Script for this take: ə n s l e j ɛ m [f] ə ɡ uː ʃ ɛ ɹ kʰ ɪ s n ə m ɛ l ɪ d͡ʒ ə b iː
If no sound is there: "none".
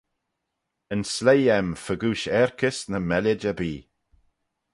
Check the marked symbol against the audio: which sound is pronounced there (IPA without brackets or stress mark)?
f